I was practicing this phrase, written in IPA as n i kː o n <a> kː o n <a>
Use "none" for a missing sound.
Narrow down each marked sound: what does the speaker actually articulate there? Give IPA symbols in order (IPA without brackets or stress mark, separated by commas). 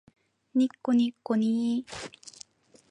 i, i